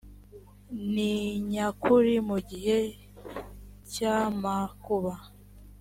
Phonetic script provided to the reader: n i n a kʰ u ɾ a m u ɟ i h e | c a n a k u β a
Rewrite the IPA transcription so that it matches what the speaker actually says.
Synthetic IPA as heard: n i ɲ a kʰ u ɾ i m u ɟ i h e | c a m a k u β a